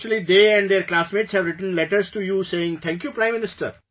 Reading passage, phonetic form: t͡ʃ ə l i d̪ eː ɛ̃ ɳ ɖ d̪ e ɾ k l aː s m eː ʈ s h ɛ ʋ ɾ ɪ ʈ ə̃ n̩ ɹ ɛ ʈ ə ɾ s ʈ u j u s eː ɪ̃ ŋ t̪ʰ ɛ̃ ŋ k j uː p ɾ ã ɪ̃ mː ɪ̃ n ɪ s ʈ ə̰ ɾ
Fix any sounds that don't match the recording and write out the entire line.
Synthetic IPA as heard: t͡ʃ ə l i d̪ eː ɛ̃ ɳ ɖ d̪ e ɾ k l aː s m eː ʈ s h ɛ ʋ ɾ ɪ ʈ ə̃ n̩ l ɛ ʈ ə ɾ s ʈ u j u s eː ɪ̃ ŋ t̪ʰ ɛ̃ ŋ k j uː p ɾ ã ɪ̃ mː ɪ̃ n ɪ s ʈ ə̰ ɾ

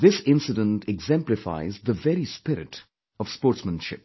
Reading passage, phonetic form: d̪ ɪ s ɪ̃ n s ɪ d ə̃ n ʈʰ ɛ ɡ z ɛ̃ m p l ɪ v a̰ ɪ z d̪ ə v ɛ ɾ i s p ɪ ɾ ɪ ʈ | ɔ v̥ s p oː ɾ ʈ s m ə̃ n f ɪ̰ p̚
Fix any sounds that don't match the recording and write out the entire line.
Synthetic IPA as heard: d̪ ɪ s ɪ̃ n s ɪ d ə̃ n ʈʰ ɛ ɡ z ɛ̃ m p l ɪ f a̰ ɪ z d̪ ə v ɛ ɾ i s p ɪ ɾ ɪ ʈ | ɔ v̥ s p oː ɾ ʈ s m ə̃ n ʃ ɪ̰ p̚

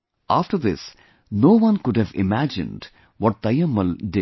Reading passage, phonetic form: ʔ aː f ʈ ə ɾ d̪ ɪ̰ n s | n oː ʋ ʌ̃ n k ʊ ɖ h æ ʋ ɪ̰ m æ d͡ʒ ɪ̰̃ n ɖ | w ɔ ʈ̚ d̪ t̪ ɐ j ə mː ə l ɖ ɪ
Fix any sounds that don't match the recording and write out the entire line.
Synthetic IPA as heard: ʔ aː f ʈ ə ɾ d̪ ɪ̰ s | n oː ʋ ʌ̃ n k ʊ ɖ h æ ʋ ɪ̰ m æ d͡ʒ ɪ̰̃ n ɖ | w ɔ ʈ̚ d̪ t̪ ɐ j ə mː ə l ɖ ɪ

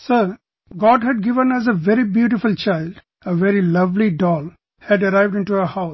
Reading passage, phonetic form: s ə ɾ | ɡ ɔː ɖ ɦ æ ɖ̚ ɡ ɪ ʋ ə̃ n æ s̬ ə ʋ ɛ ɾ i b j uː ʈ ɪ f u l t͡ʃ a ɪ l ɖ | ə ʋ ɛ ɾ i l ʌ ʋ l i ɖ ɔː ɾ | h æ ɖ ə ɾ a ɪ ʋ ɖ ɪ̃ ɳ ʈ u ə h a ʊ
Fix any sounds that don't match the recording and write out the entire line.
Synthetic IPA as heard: s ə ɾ | ɡ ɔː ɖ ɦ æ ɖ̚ ɡ ɪ ʋ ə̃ n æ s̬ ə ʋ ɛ ɾ i b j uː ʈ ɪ f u l t͡ʃ a ɪ l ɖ | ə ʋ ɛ ɾ i l ʌ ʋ l i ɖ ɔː l | h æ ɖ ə ɾ a ɪ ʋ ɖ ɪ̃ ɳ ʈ u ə h a ʊ

